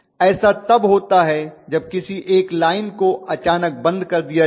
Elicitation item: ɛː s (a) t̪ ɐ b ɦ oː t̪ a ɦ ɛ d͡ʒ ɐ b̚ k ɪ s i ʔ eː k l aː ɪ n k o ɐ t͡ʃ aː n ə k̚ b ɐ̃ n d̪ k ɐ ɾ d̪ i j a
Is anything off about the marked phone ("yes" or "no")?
no